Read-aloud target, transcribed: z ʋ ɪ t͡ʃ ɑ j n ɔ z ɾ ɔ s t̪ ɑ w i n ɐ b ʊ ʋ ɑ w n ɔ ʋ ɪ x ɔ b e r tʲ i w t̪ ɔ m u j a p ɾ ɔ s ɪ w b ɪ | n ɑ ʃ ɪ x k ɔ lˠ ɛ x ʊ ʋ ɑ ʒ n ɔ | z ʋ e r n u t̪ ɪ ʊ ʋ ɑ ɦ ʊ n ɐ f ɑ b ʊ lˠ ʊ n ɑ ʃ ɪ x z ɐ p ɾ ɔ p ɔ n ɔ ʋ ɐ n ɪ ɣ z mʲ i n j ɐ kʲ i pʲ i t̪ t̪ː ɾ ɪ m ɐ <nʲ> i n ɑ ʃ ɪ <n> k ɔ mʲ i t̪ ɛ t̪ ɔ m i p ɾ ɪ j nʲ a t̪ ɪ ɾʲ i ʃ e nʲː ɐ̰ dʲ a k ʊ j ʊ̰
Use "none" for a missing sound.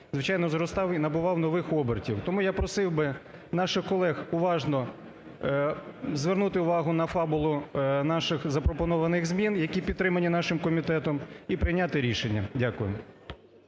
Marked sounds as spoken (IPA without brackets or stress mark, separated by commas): nʲ, m